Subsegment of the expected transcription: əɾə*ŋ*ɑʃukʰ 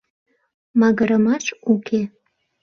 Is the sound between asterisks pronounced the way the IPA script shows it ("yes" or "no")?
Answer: no